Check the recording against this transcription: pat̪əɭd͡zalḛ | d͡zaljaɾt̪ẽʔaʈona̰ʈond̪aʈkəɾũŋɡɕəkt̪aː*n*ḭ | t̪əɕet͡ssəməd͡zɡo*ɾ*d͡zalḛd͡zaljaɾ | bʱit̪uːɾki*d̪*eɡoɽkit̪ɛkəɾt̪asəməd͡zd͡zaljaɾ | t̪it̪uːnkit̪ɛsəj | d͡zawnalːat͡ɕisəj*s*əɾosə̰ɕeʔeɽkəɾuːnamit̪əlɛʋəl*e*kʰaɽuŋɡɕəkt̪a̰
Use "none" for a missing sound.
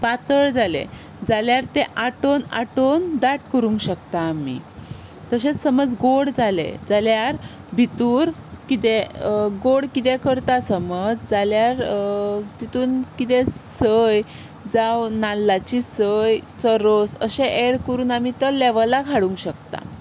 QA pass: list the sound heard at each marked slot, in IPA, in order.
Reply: m, ɽ, t̪, t͡s, a

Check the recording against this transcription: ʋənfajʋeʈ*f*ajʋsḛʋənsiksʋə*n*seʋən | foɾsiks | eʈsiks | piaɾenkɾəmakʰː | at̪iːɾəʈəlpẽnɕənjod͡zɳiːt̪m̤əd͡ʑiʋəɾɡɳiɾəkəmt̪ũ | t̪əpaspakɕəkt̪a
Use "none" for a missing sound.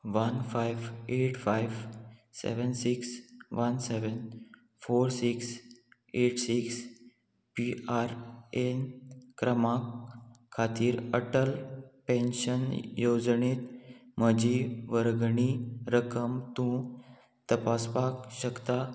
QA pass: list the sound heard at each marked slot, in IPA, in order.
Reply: f, n

